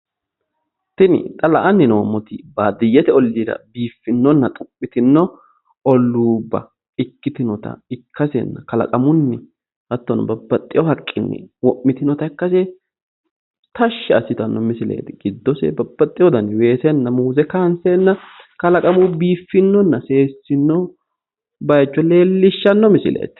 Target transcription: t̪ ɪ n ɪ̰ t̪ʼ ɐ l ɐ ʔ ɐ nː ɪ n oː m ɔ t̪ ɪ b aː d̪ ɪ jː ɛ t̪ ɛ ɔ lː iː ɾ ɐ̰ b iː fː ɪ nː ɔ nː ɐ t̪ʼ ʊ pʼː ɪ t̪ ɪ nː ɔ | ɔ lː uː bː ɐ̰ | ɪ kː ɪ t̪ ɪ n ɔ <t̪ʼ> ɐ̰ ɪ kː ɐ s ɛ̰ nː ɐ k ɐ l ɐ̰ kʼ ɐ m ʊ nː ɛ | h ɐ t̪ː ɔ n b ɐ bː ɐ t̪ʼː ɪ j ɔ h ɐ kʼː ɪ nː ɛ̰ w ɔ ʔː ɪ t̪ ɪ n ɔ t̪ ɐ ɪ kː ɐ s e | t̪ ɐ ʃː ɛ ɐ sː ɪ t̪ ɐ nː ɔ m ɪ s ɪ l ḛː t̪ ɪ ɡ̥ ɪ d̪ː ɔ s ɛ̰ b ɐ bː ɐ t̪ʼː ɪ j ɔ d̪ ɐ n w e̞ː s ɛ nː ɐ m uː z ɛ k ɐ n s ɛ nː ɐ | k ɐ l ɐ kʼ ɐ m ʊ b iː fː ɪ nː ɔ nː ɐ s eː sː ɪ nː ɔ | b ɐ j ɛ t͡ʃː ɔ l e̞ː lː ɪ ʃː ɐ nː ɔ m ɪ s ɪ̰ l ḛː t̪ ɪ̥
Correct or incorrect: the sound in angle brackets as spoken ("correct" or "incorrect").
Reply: incorrect